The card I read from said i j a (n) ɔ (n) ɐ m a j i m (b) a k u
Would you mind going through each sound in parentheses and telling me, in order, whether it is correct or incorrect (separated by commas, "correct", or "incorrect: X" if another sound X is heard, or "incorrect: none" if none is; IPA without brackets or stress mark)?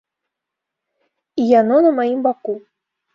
correct, correct, correct